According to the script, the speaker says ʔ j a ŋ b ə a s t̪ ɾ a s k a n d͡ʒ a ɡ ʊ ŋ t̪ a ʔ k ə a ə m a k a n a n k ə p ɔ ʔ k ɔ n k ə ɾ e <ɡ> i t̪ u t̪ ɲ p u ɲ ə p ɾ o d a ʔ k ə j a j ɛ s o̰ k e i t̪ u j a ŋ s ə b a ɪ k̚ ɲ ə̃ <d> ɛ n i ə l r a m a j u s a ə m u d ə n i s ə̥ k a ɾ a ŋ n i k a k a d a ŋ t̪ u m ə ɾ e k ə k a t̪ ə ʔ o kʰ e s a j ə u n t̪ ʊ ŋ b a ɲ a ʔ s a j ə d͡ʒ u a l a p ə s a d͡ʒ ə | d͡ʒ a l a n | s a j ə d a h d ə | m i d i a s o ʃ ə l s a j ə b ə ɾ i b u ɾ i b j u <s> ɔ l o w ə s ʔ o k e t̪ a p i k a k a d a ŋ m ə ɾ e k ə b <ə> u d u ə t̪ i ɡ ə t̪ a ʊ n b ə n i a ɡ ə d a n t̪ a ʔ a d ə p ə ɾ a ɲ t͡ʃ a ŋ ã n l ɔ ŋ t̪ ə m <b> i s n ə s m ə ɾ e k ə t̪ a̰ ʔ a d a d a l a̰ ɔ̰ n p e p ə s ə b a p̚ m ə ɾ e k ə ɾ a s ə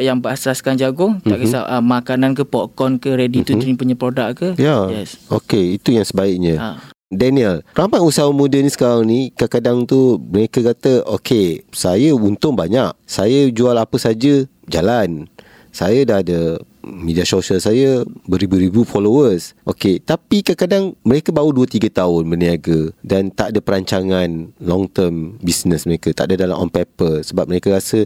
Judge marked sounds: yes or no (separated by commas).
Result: no, yes, no, no, yes